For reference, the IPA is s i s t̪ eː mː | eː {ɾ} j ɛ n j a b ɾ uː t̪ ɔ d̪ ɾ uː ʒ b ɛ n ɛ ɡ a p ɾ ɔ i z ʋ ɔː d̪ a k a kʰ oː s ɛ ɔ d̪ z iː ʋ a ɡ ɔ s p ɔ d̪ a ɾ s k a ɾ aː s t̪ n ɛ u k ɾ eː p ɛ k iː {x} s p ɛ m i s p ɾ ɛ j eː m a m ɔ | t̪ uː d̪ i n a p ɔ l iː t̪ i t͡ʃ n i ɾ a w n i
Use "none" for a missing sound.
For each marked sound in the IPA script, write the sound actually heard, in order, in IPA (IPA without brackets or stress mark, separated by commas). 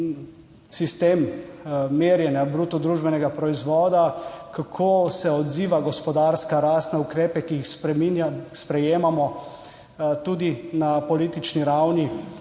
ɾ, x